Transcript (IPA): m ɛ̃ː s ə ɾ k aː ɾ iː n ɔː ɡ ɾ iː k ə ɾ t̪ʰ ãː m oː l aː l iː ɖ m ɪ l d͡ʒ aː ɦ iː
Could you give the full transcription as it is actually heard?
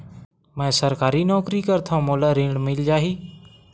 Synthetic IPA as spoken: m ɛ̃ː s ə ɾ k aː ɾ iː n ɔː k ɾ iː k ə ɾ t̪ʰ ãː m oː l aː ɾ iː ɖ m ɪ l d͡ʒ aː ɦ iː